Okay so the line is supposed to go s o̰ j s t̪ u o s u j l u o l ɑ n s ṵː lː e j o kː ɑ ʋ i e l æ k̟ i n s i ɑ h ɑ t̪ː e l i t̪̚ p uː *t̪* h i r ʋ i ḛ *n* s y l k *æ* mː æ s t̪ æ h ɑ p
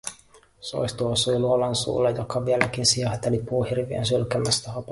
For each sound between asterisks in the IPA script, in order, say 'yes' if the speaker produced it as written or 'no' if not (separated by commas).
no, yes, yes